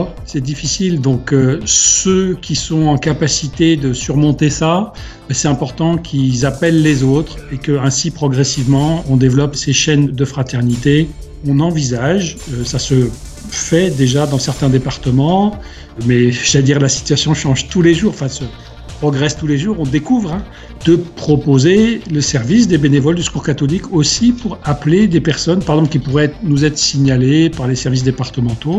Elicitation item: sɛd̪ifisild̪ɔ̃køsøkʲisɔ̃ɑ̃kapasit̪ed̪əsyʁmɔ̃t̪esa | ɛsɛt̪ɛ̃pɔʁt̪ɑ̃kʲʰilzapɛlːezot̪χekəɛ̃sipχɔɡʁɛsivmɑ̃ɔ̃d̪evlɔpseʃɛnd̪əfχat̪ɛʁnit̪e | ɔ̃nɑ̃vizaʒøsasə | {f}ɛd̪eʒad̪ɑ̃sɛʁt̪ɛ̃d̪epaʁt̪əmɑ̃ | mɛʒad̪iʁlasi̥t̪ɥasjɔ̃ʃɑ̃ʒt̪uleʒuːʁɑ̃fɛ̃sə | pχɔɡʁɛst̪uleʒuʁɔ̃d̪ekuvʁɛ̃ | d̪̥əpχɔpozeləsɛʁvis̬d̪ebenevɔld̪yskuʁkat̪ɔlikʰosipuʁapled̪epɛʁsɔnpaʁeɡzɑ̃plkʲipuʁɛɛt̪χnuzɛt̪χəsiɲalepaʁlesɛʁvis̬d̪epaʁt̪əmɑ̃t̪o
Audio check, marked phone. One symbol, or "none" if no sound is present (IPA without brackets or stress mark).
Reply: f